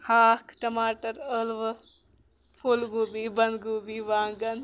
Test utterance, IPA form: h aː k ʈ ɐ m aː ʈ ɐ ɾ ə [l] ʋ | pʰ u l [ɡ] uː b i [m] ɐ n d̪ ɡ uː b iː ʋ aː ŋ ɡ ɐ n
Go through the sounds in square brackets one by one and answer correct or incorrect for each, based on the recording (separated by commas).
correct, correct, incorrect